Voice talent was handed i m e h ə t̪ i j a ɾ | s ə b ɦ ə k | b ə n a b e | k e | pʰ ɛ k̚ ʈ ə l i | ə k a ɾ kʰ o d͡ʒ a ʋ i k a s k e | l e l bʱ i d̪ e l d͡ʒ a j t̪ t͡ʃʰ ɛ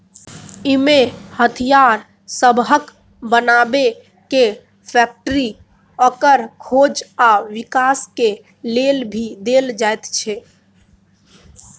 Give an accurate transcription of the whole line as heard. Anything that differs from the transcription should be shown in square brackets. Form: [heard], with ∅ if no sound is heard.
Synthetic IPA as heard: i m e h ə [t̪ʰ] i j a ɾ | s ə b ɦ ə k | b ə n a b e | k e | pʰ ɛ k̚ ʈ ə [ɾ] i | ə k [ə] ɾ kʰ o d͡ʒ a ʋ i k a s k e | l e l bʱ i d̪ e l d͡ʒ a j t̪ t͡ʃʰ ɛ

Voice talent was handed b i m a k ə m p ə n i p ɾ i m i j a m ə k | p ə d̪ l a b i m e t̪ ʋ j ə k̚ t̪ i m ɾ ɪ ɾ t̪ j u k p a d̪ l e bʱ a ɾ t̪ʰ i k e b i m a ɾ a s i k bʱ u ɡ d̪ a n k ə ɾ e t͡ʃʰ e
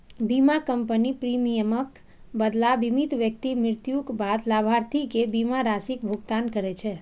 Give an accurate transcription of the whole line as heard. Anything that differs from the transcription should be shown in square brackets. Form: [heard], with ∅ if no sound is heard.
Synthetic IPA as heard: b i m a k ə m p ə n i p ɾ i m i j [ə] m ə k | [b] ə d̪ l a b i m [i] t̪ ʋ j ə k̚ t̪ i m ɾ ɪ ɾ t̪ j u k [b] a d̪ l [a] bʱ a ɾ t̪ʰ i k e b i m a ɾ a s i k bʱ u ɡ [t̪] a n k ə ɾ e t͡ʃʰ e

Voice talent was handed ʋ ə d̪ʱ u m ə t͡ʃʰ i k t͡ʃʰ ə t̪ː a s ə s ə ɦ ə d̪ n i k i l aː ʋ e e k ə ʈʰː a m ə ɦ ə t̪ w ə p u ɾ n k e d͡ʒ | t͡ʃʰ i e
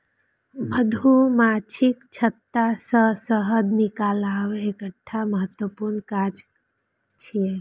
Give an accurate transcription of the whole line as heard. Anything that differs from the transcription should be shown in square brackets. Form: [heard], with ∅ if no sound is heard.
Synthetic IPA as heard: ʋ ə d̪ʱ u m [a] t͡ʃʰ i k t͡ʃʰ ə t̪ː a s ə s ə ɦ ə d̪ n i k [a] l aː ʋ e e k ə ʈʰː a m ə ɦ ə t̪ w ə p u ɾ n k [a] d͡ʒ | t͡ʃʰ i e

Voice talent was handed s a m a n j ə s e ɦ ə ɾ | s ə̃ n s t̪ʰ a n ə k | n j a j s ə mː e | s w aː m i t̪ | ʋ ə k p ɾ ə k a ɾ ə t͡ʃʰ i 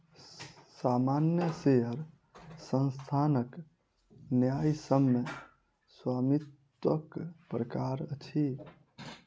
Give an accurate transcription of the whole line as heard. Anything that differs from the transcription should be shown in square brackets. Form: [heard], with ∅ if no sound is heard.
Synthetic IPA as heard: s a m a n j ə s e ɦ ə ɾ | s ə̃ n s t̪ʰ a n ə k | n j a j s ə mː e | s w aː m i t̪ | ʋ ə k p ɾ ə k a ɾ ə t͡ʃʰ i

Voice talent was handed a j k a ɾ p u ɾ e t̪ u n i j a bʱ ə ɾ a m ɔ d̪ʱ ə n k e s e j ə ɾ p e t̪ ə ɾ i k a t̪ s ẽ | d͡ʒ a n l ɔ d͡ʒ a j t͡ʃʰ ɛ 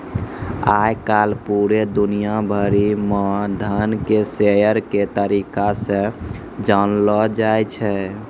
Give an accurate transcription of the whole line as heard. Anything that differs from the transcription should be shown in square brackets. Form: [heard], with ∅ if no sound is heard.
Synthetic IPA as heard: a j k a [l] p u ɾ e [d̪] u n i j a bʱ ə ɾ [i] m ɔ d̪ʱ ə n k e s e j ə ɾ [k] e t̪ ə ɾ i k a [∅] s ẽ | d͡ʒ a n l ɔ d͡ʒ a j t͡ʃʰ ɛ

